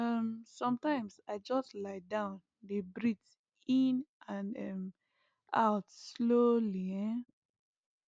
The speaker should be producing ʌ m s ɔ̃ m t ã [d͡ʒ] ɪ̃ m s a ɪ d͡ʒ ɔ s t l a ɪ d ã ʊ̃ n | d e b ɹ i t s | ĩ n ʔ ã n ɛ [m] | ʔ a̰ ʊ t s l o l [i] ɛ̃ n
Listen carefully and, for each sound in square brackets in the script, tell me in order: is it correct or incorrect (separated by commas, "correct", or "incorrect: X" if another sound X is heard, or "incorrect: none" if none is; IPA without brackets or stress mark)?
incorrect: none, correct, correct